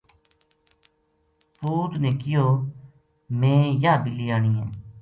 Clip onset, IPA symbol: p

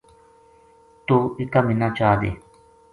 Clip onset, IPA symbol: t̪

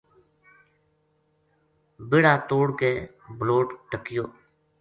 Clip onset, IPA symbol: b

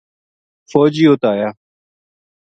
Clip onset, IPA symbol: f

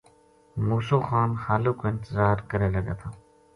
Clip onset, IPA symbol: m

